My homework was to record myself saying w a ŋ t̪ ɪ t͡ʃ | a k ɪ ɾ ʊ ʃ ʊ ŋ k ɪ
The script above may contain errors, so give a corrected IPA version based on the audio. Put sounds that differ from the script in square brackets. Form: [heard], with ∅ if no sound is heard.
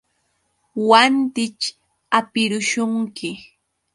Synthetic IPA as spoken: w a [n] t̪ ɪ t͡ʃ | a [p] ɪ ɾ ʊ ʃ ʊ ŋ k ɪ